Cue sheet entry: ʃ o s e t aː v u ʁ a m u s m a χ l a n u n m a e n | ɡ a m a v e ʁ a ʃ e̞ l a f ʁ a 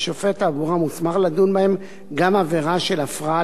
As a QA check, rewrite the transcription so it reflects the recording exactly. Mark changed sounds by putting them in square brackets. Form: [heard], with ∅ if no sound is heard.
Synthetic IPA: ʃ o [f] e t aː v u ʁ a m u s m a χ l a [d] u n [b] a e [m] | ɡ a m a v e ʁ a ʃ e̞ l a f ʁ a